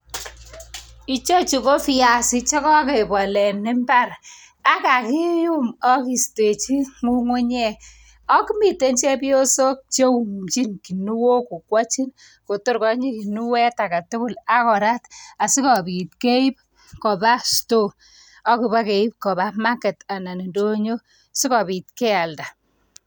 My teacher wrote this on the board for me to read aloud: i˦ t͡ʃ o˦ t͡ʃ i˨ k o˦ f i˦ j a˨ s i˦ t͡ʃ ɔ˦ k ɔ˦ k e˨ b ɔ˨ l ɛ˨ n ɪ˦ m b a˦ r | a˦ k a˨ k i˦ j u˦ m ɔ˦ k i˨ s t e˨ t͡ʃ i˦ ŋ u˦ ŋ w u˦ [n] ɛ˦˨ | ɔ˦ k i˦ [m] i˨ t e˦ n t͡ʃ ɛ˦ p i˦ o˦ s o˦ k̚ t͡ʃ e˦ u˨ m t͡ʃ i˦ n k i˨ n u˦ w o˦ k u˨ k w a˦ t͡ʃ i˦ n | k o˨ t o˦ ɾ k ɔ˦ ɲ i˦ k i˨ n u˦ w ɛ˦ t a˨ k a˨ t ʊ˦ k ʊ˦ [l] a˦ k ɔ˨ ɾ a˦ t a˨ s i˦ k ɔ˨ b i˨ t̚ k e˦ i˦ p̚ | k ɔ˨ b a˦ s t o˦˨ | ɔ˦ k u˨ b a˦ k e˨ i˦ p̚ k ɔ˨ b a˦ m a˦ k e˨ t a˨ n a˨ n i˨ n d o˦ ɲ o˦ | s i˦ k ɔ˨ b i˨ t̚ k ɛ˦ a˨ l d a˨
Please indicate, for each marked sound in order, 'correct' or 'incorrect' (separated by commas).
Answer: incorrect, correct, correct